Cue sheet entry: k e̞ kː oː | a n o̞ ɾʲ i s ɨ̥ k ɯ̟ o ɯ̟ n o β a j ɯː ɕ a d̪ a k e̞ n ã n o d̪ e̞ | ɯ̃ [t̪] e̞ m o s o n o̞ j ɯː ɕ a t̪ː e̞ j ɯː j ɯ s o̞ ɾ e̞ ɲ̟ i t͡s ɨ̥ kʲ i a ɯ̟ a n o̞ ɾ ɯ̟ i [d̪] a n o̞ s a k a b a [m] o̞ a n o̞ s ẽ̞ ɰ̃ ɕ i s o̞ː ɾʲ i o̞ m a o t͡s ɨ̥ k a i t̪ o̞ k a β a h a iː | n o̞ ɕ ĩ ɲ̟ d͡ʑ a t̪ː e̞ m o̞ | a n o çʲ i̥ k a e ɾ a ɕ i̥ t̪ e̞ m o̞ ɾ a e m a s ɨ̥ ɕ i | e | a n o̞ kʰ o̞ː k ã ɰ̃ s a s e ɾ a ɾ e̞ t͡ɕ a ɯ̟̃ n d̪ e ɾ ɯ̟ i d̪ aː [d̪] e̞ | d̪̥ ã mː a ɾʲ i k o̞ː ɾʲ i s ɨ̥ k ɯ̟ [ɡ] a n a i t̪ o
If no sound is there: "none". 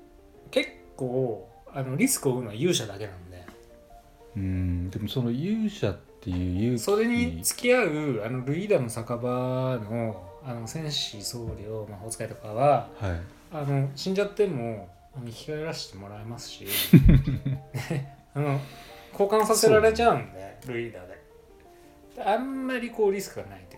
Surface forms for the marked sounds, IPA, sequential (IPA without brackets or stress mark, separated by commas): d̪, d̪, n, d̪, ɡ